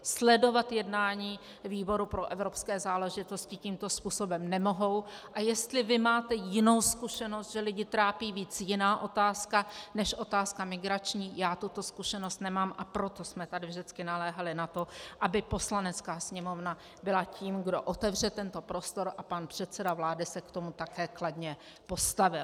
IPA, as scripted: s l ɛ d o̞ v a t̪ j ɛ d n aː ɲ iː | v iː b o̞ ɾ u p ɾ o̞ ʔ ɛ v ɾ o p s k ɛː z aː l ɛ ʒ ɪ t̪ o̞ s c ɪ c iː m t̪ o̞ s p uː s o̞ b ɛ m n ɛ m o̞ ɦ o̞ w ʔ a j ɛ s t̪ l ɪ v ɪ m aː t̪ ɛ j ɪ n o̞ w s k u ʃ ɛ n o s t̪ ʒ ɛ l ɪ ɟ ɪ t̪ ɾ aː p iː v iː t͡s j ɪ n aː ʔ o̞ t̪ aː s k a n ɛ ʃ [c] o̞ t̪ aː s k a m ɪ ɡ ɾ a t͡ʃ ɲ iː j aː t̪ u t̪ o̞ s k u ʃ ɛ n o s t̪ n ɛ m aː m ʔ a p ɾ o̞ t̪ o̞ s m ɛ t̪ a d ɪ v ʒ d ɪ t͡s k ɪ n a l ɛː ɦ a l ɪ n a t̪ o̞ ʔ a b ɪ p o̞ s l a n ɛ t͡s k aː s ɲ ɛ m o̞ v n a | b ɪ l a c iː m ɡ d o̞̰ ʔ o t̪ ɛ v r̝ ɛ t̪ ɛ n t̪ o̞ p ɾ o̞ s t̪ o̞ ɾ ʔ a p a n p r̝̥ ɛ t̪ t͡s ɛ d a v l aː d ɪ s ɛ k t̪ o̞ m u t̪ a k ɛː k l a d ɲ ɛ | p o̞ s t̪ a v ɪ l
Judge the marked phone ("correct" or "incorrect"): incorrect